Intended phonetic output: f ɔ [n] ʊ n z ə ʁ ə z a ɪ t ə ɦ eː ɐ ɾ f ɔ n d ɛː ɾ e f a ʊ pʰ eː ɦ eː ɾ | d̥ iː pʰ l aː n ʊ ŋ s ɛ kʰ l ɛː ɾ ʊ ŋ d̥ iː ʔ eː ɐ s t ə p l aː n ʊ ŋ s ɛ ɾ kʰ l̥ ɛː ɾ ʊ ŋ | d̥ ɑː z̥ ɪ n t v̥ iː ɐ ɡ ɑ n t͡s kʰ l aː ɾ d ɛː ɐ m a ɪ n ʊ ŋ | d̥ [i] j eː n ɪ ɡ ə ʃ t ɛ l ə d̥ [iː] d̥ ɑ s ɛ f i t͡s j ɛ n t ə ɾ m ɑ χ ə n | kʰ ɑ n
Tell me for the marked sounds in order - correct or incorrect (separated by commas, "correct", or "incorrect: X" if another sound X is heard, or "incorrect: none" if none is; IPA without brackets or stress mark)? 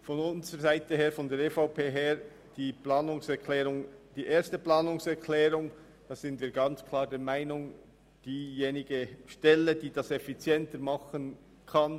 correct, incorrect: iː, correct